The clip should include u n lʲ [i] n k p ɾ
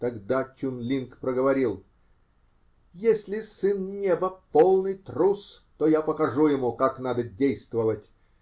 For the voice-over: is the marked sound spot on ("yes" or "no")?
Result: yes